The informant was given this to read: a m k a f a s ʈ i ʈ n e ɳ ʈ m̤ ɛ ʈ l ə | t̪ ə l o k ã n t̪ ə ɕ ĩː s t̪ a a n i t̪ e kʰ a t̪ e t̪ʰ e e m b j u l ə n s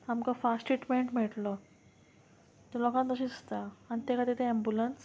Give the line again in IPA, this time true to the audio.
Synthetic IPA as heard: a m k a f a s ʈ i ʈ m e ɳ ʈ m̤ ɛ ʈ l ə | t̪ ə l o k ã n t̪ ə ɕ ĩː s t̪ a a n i t̪ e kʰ a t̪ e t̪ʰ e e m b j u l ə n s